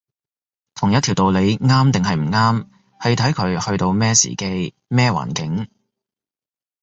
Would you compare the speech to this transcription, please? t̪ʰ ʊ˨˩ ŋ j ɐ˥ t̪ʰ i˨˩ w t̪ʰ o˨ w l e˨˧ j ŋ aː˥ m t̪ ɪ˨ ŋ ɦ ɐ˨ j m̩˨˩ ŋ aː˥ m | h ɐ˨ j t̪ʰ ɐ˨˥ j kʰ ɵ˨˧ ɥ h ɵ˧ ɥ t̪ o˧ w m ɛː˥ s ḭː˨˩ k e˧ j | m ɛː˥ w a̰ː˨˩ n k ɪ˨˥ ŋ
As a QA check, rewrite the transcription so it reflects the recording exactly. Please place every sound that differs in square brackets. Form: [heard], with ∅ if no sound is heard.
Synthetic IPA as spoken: t̪ʰ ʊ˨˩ ŋ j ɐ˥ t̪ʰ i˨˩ w [t̪] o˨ w l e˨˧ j ŋ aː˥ m t̪ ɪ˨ ŋ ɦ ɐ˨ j m̩˨˩ ŋ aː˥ m | h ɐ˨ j t̪ʰ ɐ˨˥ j kʰ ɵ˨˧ ɥ h ɵ˧ ɥ t̪ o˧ w m ɛː˥ s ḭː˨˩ k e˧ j | m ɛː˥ w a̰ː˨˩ n k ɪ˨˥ ŋ